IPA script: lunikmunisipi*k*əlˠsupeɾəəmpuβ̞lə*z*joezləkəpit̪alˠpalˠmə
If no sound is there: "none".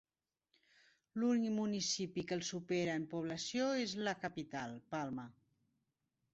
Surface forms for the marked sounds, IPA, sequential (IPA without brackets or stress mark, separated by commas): k, s